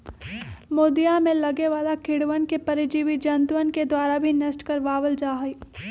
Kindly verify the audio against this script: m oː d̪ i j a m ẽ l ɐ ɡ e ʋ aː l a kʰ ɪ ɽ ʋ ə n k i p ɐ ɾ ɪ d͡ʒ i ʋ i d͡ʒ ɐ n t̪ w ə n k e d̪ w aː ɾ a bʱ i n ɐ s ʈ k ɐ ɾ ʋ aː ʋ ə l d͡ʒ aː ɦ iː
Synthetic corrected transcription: m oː d̪ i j a m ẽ l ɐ ɡ e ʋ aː l a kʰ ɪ ɽ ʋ ə n k e p ɐ ɾ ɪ d͡ʒ i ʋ i d͡ʒ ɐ n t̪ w ə n k e d̪ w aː ɾ a bʱ i n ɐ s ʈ k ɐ ɾ ʋ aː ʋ ə l d͡ʒ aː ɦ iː

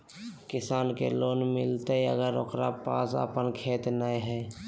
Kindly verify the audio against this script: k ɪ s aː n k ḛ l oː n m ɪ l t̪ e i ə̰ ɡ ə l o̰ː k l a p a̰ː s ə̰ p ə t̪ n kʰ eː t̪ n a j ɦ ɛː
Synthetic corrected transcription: k ɪ s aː n k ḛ l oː n m ɪ l t̪ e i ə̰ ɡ ə ɾ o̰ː k ɾ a p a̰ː s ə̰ p ə n kʰ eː t̪ n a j ɦ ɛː

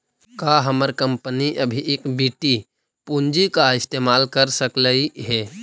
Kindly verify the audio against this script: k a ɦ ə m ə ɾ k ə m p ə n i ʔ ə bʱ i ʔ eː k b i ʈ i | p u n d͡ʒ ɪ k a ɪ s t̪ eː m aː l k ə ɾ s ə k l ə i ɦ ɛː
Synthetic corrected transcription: k a ɦ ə m ə ɾ k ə m p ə n i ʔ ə bʱ i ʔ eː k b i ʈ i | p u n d͡ʒ i k a ɪ s t̪ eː m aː l k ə ɾ s ə k l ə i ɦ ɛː

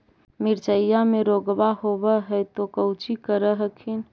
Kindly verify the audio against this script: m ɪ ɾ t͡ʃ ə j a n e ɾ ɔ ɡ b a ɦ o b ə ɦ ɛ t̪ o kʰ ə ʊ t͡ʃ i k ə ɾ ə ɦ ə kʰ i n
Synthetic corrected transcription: m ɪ ɾ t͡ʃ ə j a m e ɾ o ɡ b a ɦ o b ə ɦ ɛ t̪ o k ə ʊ t͡ʃ i k ə ɾ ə ɦ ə kʰ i n

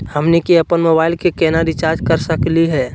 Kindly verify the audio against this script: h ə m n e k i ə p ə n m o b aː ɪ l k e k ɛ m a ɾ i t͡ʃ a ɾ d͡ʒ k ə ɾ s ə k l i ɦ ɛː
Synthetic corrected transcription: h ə m n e k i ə p ə n m o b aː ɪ l k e k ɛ n a ɾ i t͡ʃ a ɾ d͡ʒ k ə ɾ s ə k l i ɦ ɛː

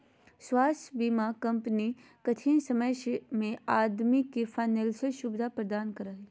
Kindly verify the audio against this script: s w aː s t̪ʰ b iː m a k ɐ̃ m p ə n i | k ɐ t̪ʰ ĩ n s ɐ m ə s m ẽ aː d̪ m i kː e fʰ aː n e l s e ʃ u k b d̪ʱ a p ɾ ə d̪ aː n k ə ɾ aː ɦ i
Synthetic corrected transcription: s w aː s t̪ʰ b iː m a k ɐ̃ m p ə n i | k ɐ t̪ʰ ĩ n s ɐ m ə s m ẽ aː d̪ m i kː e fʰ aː n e l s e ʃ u b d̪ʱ a p ɾ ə d̪ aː n k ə ɾ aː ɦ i

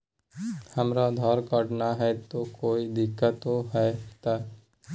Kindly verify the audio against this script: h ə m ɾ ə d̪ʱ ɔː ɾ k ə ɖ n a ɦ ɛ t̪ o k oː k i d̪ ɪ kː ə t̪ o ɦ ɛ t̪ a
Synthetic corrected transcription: h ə m ɾ a d̪ʱ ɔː ɾ k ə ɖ n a ɦ ɛ t̪ o k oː i d̪ ɪ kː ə t̪ o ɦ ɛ t̪ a

